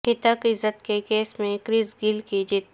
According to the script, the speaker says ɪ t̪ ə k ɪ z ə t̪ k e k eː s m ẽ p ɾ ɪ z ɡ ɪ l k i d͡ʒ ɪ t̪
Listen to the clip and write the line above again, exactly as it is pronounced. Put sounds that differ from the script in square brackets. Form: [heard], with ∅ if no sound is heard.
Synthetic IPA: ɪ t̪ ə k ɪ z ə t̪ k e k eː s m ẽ [k] ɾ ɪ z ɡ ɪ l k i d͡ʒ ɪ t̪